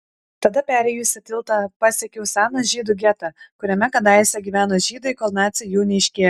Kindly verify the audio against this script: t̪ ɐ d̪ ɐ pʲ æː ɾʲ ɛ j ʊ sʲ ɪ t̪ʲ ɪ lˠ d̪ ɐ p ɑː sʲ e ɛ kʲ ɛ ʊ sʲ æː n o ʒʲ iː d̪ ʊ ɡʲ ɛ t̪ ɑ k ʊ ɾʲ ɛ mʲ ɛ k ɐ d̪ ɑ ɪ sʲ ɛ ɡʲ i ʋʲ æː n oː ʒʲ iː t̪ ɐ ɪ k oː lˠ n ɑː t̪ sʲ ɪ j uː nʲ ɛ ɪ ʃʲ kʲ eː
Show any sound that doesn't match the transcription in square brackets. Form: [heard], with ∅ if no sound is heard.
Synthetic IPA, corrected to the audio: t̪ ɐ d̪ ɐ pʲ æː ɾʲ ɛ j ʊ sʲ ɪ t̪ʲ ɪ lˠ [t̪] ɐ p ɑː sʲ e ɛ kʲ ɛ ʊ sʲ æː n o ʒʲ iː d̪ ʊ ɡʲ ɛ t̪ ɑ k ʊ ɾʲ ɛ mʲ ɛ k ɐ d̪ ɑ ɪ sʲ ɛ ɡʲ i ʋʲ æː n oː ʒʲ iː [d̪] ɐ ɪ k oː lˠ n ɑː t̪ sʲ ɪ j uː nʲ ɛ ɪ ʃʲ kʲ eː